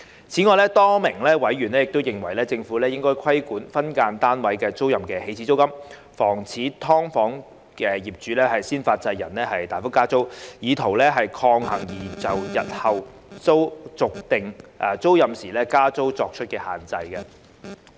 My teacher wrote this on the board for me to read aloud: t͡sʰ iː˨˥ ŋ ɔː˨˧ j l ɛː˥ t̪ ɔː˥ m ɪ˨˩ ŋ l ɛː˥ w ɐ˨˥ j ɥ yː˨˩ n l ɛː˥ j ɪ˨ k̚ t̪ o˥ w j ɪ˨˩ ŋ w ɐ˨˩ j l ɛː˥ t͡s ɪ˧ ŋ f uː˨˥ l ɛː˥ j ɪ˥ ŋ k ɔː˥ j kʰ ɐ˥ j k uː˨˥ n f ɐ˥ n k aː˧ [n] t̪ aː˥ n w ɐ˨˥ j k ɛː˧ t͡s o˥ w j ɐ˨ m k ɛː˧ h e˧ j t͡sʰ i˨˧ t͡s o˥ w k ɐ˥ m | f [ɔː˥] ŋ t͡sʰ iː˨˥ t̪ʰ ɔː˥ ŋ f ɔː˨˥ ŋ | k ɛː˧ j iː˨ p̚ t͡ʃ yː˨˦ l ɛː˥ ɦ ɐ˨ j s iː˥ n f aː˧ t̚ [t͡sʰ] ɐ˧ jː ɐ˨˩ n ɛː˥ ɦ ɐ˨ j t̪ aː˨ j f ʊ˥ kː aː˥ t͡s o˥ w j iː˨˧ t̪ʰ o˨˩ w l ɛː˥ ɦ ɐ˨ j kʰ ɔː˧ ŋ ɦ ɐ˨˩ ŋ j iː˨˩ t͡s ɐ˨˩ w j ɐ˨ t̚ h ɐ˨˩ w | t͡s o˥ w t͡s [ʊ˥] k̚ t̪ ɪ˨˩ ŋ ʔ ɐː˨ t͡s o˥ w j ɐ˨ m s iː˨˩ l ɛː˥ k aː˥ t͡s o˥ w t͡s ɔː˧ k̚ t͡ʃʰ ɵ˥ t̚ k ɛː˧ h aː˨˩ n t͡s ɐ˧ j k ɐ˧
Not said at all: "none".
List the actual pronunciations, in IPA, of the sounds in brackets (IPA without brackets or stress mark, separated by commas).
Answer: n, ɔː˨˩, t͡s, ʊ˨